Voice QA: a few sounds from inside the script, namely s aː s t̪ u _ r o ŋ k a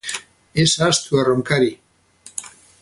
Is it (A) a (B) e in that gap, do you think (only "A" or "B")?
A